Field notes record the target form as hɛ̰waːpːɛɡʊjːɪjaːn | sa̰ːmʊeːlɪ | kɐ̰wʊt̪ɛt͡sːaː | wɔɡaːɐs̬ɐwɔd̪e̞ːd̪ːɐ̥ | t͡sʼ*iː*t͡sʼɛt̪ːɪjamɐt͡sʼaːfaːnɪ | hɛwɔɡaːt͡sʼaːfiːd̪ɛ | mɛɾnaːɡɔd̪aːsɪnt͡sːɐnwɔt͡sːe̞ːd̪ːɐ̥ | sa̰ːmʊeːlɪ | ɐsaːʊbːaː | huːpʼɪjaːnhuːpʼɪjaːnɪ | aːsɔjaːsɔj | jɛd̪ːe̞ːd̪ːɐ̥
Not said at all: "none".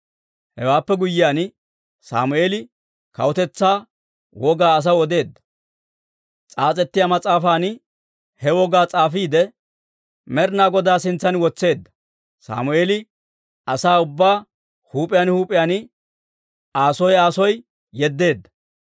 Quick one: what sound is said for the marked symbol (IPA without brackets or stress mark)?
aː